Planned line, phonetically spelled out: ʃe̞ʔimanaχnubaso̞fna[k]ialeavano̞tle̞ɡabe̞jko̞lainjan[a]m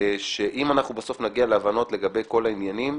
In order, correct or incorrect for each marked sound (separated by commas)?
incorrect, incorrect